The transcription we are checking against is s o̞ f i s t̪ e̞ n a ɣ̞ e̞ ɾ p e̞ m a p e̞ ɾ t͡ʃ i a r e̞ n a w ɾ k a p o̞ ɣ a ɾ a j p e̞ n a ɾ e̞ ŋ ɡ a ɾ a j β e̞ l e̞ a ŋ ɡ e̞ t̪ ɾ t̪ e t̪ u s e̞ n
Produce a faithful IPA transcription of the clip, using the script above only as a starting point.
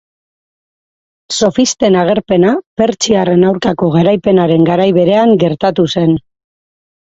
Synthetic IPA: s o̞ f i s t̪ e̞ n a ɣ̞ e̞ ɾ p e̞ n a p e̞ ɾ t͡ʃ i a r e̞ n a w ɾ k a k o̞ ɣ a ɾ a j p e̞ n a ɾ e̞ ŋ ɡ a ɾ a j β e̞ ɾ e̞ a ŋ ɡ e̞ ɾ t̪ a t̪ u s e̞ n